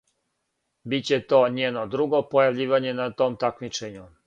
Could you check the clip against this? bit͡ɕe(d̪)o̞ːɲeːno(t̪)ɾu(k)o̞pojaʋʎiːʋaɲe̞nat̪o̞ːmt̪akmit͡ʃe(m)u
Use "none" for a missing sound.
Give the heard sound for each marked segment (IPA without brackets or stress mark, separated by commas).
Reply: t̪, d̪, ɡ, ɲ